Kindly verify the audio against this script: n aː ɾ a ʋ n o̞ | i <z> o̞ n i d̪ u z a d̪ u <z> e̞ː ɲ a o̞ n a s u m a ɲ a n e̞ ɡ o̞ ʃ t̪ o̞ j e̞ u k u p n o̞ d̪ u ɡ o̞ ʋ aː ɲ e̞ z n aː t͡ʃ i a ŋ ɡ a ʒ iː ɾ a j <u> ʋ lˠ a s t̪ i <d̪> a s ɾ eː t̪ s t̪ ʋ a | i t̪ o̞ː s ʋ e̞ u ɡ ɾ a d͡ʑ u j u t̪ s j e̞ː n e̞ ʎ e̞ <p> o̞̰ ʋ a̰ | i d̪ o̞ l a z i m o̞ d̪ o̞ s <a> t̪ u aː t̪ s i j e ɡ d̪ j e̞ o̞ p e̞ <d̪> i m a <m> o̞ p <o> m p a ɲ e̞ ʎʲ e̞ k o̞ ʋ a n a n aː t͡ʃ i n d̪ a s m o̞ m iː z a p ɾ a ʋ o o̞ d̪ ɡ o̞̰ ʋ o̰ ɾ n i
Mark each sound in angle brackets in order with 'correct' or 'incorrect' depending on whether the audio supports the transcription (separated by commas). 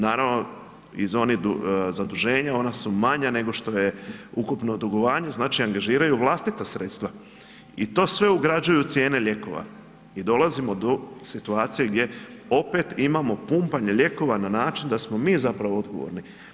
correct, incorrect, correct, incorrect, incorrect, incorrect, incorrect, correct, incorrect